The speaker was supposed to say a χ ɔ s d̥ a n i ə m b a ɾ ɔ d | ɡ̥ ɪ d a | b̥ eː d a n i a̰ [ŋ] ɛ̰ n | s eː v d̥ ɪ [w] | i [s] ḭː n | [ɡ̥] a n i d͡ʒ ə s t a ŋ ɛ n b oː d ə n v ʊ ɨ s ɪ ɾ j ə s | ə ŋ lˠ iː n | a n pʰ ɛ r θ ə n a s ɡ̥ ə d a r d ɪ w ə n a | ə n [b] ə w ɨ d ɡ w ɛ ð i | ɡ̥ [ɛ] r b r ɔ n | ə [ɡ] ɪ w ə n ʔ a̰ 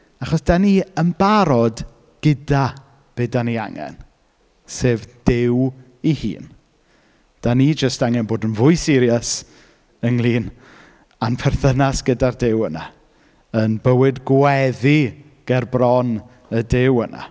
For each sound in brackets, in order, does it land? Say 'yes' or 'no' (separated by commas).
yes, yes, no, no, yes, yes, no